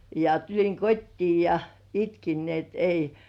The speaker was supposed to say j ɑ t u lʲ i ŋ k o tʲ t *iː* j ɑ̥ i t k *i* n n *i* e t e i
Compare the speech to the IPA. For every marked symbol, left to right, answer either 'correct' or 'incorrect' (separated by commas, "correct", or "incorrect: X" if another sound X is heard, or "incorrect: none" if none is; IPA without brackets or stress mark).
correct, correct, correct